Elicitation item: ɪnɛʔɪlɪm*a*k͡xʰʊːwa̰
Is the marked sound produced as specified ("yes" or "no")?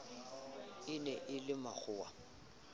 yes